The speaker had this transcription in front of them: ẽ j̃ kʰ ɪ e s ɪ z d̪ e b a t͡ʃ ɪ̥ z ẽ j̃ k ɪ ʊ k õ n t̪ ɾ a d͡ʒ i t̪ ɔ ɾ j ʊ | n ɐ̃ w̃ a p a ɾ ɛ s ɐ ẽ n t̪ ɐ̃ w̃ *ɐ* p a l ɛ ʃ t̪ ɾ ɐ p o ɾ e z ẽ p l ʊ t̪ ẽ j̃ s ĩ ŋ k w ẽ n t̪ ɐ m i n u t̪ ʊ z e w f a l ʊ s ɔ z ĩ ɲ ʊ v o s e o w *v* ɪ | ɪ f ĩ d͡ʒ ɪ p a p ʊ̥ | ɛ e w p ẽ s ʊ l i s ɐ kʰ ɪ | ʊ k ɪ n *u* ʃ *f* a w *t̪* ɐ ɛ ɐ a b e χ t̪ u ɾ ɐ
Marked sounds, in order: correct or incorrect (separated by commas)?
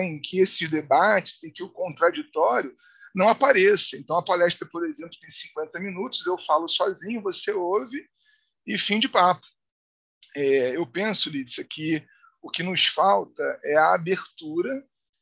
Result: correct, correct, incorrect, correct, correct